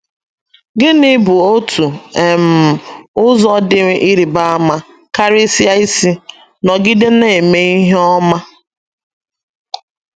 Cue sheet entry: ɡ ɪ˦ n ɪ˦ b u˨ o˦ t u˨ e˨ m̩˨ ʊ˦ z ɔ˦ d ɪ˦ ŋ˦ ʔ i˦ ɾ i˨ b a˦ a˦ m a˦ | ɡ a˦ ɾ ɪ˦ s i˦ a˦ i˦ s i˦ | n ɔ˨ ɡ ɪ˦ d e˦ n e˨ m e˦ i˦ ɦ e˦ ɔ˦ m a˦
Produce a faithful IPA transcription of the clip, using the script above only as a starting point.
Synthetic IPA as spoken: ɡ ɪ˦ n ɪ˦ b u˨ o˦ t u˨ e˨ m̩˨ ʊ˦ z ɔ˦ d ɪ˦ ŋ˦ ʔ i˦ ɾ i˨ b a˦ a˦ m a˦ | k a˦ ɾ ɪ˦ s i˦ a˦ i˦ s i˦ | n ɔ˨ ɡ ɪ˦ d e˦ n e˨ m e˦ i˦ ɦ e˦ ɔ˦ m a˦